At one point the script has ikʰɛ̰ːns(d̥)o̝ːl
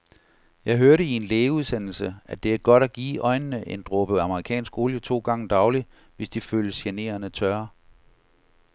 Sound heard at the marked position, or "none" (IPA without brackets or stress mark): ɡ̥